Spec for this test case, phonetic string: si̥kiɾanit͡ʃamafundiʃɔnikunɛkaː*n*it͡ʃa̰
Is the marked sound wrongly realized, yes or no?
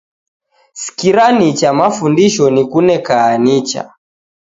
no